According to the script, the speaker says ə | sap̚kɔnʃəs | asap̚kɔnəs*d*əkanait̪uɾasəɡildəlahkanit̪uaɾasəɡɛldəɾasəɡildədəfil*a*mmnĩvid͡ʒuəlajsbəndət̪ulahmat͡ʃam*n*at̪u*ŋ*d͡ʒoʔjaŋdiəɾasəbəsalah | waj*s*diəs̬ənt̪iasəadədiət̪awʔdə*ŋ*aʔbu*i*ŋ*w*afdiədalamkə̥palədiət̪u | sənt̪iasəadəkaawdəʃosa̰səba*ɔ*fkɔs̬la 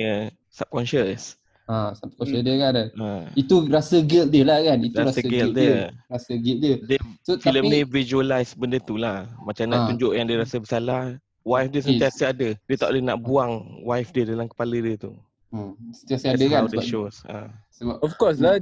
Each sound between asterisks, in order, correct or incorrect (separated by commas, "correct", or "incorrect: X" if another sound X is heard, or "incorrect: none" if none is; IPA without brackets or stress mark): correct, incorrect: ə, correct, incorrect: ɲ, incorrect: f, incorrect: n, incorrect: a, correct, correct